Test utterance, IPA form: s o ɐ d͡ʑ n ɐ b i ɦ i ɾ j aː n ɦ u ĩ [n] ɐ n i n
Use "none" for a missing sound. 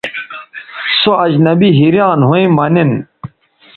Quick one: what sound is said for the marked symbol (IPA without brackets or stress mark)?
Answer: m